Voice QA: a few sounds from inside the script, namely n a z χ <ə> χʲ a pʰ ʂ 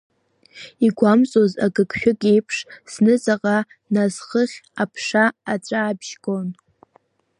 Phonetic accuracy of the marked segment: correct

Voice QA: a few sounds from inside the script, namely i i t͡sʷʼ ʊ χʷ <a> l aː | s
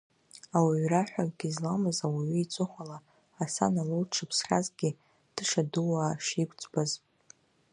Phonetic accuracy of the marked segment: correct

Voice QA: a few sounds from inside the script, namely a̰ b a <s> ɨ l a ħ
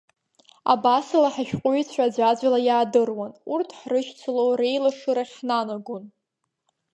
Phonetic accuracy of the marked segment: correct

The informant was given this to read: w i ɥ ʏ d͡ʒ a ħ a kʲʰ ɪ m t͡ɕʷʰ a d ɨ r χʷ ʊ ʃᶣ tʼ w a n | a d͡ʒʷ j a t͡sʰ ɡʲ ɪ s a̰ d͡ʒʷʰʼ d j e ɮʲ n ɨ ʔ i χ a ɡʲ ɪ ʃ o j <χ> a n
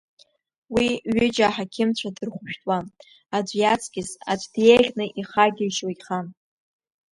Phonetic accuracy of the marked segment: correct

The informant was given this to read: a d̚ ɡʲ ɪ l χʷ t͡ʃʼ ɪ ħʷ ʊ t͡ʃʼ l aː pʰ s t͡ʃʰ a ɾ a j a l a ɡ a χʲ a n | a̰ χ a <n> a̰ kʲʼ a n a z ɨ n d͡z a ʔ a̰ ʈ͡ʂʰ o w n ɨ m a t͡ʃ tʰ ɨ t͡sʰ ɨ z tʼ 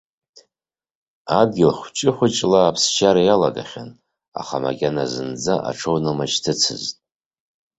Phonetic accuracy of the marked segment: incorrect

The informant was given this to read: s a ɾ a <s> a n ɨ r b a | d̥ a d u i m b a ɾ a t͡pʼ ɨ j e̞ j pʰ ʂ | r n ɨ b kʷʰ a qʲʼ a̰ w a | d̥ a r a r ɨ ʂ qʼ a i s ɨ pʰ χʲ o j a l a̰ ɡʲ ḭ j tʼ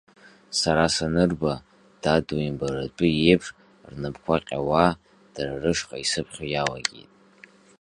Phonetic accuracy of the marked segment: correct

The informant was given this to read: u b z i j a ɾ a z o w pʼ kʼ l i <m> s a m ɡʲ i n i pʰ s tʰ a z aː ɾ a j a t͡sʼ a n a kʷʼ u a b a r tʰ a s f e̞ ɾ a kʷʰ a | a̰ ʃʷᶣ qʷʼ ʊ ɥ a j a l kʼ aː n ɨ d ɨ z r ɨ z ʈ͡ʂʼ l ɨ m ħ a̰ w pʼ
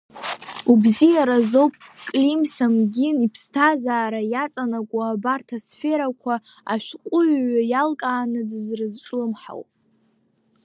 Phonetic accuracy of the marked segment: correct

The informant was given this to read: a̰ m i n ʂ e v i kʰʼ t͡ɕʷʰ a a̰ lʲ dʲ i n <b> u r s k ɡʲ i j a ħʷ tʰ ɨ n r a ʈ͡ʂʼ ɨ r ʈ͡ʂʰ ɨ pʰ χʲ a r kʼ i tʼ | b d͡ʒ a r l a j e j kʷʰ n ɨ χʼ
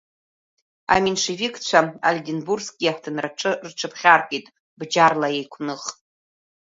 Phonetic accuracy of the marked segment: correct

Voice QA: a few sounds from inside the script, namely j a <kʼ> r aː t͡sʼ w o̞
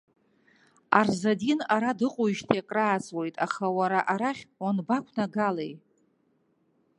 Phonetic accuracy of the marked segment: correct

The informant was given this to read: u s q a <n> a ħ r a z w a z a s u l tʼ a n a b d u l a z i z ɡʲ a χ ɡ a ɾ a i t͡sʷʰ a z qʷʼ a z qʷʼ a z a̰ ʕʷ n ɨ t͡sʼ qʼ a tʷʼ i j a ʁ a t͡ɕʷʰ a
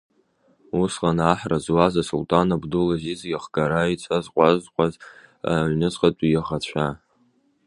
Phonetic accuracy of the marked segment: correct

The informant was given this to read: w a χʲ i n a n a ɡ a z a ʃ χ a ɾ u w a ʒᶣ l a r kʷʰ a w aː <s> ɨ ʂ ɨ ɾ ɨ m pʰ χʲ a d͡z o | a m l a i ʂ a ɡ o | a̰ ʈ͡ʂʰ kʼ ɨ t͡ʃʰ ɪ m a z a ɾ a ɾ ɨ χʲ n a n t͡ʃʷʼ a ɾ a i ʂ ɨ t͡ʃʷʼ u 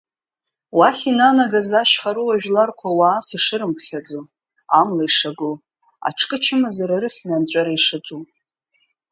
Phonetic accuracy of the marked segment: correct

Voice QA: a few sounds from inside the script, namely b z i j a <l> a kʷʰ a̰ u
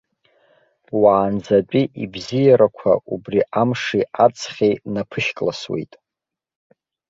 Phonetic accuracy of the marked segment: incorrect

